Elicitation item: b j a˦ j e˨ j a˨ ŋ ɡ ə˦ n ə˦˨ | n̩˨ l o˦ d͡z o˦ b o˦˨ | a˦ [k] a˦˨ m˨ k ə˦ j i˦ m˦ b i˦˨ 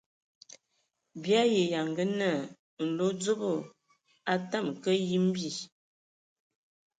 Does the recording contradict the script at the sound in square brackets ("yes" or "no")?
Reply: yes